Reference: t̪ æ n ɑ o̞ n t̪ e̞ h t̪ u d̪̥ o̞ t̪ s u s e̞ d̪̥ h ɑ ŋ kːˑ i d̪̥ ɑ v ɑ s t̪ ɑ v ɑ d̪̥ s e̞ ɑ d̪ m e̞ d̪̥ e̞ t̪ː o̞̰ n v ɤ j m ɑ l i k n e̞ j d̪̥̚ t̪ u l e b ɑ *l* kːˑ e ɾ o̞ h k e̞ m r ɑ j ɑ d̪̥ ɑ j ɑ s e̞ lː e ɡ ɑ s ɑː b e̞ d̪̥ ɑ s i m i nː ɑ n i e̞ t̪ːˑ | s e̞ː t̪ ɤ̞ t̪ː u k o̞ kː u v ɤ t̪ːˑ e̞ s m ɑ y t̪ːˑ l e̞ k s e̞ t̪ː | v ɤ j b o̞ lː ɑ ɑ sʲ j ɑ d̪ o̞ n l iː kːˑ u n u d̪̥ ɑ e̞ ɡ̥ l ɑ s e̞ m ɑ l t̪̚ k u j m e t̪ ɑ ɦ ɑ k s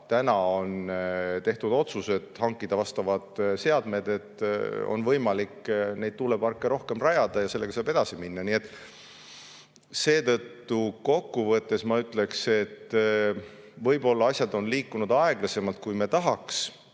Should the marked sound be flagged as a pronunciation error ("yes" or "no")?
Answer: yes